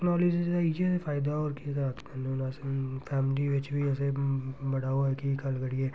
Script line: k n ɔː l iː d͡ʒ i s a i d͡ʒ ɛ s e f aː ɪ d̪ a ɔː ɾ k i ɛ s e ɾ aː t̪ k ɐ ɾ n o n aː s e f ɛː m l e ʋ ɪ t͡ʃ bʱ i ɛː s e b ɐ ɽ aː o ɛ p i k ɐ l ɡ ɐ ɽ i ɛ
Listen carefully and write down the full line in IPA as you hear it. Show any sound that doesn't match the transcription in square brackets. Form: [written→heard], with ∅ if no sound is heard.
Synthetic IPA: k n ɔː l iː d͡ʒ i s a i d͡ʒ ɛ s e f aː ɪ d̪ a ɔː ɾ k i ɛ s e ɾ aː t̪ k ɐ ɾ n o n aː s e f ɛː m l [e→i] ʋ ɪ t͡ʃ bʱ i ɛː s e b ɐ ɽ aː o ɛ [p→k] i k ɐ l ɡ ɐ ɽ i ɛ